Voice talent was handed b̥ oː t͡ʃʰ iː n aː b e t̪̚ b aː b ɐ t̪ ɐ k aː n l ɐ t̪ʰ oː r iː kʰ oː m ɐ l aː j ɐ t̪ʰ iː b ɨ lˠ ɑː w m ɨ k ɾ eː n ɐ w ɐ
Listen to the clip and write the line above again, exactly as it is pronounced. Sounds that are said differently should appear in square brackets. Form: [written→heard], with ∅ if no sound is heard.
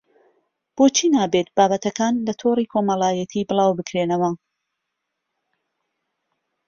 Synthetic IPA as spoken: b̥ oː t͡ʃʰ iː n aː b e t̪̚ b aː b ɐ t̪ ɐ k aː n l ɐ t̪ʰ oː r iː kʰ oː m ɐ l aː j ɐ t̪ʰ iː b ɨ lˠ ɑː w [m→b] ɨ k ɾ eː n ɐ w ɐ